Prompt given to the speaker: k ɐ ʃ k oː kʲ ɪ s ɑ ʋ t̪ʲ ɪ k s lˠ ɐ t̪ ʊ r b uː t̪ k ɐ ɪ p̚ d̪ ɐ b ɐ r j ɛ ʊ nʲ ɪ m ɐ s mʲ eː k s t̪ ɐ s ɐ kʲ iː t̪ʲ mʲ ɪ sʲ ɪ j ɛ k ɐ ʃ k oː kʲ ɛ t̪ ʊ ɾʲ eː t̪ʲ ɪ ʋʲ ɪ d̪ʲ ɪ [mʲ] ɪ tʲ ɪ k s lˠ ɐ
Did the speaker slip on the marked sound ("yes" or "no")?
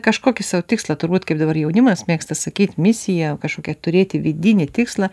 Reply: yes